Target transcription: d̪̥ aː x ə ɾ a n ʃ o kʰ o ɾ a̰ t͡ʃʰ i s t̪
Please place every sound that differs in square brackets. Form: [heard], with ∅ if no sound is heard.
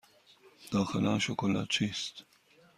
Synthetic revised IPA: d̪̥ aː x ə [l] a n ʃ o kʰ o [l] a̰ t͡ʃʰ i s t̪